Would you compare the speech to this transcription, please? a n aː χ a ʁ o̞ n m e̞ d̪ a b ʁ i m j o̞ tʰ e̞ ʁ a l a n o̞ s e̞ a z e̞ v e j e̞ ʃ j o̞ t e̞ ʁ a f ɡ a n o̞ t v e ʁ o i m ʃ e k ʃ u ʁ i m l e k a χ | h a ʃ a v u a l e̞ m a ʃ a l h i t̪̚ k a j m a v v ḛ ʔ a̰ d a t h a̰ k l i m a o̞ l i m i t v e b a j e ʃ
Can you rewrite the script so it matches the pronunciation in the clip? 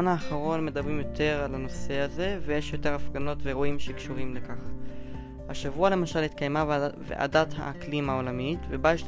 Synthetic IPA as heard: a n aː χ a ʁ o̞ n m e̞ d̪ a b ʁ i m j o̞ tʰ e̞ ʁ a l a n o̞ s e̞ a z e̞ v e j e̞ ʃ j o̞ t e̞ ʁ a f ɡ a n o̞ t v e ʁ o i m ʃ e k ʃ u ʁ i m l e k a χ | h a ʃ a v u a l e̞ m a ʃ a l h i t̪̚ k a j m a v v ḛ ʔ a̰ d a t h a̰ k l i m a o̞ l a m i t v e b a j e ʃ